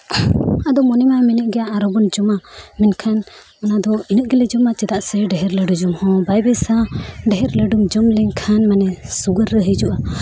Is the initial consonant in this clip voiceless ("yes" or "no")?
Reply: no